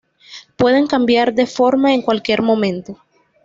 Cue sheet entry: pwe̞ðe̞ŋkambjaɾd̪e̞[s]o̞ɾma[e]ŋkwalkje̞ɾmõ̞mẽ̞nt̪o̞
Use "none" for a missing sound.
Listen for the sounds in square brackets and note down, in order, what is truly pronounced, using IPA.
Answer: f, e

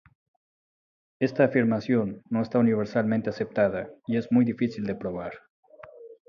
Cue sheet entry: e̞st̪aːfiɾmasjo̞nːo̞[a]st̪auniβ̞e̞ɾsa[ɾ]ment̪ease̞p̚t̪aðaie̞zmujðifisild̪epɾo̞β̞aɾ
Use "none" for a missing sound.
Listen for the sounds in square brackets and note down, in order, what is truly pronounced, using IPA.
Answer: e, l

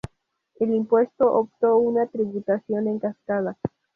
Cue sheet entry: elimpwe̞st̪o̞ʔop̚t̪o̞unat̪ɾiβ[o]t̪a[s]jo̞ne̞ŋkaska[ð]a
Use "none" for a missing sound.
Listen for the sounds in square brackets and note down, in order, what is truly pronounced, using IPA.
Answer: u, s, ð

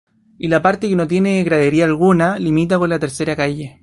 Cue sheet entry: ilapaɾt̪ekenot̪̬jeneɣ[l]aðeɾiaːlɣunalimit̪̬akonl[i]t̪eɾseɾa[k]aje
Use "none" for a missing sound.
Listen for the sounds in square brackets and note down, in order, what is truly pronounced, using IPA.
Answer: ɾ, a, k

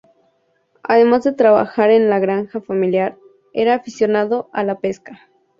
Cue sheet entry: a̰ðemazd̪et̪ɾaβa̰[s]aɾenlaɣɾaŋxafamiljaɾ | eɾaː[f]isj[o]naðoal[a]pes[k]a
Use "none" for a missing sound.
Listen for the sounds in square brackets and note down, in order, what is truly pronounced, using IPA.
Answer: x, f, o, a, k

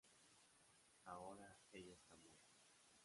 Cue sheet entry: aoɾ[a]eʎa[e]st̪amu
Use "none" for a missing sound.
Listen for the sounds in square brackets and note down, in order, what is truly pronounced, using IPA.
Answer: a, e

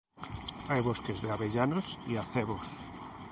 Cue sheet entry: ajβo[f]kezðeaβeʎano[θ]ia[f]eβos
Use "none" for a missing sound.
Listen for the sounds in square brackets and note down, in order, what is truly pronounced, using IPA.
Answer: s, s, θ

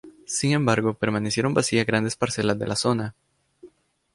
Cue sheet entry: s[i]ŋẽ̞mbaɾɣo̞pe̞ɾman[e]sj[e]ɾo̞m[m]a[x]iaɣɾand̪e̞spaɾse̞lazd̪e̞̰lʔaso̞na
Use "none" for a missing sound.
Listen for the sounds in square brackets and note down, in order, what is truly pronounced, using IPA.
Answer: i, e, e, b, s

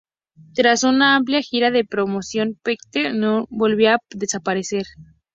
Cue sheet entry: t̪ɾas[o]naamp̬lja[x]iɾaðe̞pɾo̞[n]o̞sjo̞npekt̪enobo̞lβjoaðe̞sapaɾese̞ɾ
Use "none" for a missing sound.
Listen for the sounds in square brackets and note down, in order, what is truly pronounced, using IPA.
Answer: u, x, m

